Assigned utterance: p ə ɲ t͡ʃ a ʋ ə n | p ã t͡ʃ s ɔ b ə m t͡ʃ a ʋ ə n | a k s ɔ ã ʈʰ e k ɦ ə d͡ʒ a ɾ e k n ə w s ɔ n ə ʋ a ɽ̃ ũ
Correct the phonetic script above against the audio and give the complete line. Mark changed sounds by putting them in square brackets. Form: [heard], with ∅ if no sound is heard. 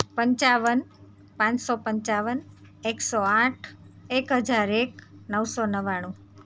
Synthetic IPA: p ə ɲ t͡ʃ a ʋ ə n | p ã t͡ʃ s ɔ [p] ə [ɲ] t͡ʃ a ʋ ə n | [e] k s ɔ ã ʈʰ e k ɦ ə d͡ʒ a ɾ e k n ə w s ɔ n ə ʋ a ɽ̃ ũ